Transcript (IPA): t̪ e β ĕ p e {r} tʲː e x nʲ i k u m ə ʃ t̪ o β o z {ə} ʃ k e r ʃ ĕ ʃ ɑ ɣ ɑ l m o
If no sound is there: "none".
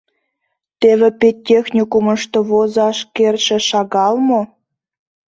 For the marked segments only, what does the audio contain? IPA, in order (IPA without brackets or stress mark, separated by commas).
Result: none, ɑ